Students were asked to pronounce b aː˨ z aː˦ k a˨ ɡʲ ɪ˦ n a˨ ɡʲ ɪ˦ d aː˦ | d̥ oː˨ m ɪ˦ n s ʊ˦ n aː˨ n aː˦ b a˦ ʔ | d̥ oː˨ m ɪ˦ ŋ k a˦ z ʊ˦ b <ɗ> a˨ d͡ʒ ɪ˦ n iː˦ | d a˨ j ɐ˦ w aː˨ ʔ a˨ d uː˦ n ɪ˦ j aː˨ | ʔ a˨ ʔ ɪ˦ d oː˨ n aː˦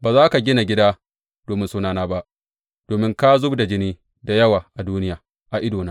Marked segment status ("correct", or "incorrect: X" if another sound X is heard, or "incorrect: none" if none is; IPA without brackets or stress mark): incorrect: d